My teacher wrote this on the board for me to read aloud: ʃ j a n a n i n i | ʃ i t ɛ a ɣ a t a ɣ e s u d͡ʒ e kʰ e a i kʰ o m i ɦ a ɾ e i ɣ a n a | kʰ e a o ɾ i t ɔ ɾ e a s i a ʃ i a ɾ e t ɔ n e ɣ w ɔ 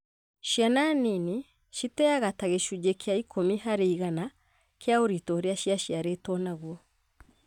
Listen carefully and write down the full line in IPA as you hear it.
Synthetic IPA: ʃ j a n a n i n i | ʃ i t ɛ a ɣ a t a ɣ e ʃ u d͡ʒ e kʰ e a i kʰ o m i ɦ a ɾ e i ɣ a n a | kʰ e a o ɾ i t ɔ ɾ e a ʃ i a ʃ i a ɾ e t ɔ n a ɣ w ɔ